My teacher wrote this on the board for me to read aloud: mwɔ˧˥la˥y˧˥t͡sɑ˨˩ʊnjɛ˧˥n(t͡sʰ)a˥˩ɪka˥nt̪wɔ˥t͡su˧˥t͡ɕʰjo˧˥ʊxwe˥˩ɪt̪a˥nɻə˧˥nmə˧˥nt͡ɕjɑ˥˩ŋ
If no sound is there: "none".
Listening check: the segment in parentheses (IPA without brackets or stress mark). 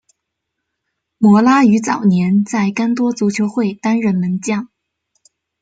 t͡s